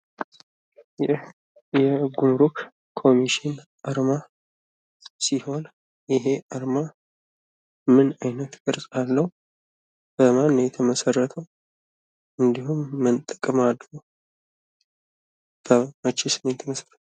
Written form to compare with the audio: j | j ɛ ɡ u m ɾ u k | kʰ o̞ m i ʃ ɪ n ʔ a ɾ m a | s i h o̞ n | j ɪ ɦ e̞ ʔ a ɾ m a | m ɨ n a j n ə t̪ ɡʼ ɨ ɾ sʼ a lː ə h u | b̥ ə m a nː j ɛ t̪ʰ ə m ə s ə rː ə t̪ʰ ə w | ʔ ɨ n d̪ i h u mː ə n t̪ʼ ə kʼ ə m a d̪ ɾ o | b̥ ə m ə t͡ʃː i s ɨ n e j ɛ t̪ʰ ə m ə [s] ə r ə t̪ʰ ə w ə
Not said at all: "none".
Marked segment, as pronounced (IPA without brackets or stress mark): s